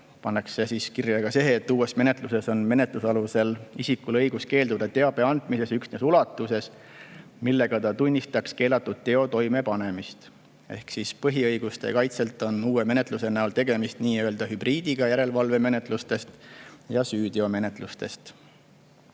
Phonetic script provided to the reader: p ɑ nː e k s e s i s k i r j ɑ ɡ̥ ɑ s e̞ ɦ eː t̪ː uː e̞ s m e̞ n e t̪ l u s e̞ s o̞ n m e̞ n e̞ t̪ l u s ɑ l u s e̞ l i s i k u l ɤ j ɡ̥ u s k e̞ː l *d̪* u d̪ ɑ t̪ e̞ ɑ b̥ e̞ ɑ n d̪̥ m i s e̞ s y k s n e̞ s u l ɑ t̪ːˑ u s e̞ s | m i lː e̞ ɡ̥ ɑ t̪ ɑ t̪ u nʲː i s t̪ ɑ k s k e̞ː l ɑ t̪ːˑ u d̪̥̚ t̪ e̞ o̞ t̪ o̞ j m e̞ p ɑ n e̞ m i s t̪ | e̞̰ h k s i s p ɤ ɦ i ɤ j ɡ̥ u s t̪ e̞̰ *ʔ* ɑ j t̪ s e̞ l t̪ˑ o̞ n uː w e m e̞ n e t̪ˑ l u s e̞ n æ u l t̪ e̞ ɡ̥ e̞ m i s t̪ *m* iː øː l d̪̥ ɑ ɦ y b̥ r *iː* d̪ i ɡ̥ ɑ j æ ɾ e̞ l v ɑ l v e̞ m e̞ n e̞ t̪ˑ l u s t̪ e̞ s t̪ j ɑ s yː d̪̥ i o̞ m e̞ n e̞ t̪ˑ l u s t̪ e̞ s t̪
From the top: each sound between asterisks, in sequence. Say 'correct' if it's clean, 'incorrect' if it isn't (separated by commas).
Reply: correct, incorrect, incorrect, correct